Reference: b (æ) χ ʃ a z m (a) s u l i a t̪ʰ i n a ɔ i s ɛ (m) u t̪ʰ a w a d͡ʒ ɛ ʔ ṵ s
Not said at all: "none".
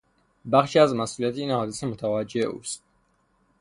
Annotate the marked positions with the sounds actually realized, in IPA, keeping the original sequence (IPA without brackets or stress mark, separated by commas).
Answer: a, a, m